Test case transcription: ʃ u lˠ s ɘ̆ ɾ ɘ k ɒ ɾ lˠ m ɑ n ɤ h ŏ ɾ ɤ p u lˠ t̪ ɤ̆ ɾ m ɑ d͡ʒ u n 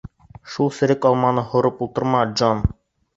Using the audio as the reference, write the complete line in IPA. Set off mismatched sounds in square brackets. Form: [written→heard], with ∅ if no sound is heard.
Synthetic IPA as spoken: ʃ u lˠ s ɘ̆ ɾ ɘ k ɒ [ɾ→∅] lˠ m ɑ n ɤ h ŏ ɾ ɤ p u lˠ t̪ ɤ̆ ɾ m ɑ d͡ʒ [u→o] n